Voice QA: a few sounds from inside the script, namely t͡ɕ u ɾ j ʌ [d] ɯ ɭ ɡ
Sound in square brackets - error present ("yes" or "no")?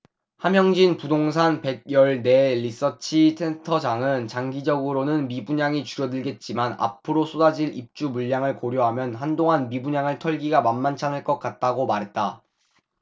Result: no